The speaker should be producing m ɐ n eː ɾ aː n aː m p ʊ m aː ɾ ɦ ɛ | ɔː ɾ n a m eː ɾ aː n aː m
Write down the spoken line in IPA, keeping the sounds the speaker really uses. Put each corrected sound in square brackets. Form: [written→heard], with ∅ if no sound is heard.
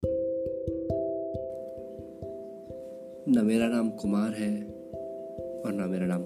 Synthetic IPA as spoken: [m→n] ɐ [n→m] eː ɾ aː n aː m [p→k] ʊ m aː ɾ ɦ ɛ | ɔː ɾ n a m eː ɾ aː n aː m